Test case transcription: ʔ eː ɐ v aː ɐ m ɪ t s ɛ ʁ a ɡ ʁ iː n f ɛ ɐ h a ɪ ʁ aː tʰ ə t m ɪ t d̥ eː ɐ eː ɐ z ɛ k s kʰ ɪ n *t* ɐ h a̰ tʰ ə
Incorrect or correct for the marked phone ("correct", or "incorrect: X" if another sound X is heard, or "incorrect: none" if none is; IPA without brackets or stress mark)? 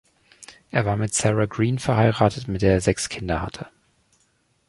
incorrect: d